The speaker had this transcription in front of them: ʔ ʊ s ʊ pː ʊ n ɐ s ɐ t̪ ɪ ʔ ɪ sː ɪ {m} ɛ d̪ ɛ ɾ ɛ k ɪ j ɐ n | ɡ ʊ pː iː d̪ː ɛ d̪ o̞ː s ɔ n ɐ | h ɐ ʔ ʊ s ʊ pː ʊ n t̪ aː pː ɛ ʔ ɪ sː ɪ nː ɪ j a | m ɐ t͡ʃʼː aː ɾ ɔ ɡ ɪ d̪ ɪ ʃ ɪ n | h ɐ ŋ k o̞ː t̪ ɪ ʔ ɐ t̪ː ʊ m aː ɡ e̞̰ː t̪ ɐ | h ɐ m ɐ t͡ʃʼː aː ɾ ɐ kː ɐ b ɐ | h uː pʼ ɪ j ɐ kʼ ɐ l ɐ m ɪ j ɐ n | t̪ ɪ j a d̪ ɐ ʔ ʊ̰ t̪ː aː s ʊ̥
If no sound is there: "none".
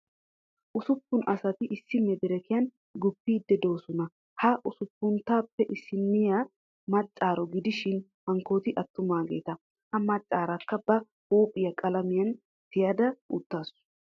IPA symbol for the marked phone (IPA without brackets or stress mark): m